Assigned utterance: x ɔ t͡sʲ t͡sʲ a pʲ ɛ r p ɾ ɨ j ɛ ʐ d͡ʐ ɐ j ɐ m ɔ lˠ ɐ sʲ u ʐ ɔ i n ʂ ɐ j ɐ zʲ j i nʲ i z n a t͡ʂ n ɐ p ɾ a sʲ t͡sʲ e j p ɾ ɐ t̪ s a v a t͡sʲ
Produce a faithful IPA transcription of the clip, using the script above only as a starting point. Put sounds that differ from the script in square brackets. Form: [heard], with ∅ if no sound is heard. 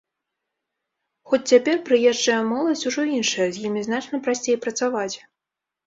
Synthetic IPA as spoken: x ɔ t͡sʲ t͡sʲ a pʲ ɛ r p ɾ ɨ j ɛ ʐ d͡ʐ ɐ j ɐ m ɔ lˠ ɐ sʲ u ʐ ɔ i n ʂ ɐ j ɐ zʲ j i [mʲ] i z n a t͡ʂ n ɐ p ɾ a sʲ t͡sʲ e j p ɾ ɐ t̪ s a v a t͡sʲ